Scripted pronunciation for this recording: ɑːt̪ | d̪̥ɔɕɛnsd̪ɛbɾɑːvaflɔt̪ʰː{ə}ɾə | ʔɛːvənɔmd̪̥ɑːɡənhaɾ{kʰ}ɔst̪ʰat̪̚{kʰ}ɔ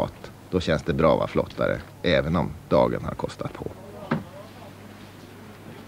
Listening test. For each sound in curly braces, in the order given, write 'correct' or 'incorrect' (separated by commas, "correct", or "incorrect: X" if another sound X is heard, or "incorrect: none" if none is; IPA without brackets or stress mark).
incorrect: a, correct, incorrect: pʰ